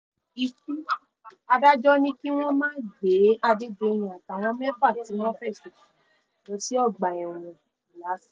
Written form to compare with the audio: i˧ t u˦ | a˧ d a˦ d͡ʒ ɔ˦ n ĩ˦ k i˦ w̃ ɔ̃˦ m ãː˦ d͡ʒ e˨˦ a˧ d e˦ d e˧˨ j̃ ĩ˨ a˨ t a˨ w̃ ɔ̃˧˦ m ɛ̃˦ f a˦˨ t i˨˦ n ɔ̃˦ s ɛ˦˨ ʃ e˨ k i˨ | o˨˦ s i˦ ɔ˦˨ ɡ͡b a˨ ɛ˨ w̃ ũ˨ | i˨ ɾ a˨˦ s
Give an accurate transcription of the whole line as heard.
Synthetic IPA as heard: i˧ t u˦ | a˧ d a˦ d͡ʒ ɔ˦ n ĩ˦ k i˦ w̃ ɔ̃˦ m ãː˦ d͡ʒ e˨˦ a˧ d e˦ d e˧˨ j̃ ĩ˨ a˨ t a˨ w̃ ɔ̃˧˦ m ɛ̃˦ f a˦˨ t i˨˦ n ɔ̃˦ f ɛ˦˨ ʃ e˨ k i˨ | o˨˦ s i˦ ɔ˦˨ ɡ͡b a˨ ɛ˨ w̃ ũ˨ | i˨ l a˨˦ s